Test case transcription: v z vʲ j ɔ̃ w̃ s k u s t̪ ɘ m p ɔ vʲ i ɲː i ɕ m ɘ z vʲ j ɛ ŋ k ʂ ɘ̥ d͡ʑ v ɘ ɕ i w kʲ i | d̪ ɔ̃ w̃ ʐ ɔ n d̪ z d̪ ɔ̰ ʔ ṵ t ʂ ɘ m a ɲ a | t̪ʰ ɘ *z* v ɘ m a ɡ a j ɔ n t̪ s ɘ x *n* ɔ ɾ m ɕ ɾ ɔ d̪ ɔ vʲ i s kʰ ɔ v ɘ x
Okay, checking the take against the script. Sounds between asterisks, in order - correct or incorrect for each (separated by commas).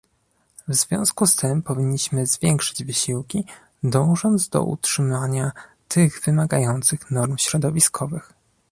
incorrect, correct